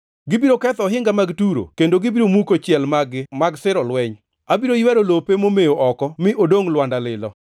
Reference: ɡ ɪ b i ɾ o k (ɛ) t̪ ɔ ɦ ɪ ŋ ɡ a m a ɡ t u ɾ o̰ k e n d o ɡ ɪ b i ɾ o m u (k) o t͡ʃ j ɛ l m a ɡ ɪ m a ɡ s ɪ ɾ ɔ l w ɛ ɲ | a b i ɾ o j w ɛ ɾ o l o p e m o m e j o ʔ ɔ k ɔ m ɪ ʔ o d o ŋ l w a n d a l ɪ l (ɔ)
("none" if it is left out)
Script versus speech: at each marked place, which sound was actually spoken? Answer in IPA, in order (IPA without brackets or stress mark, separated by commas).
ɛ, k, ɔ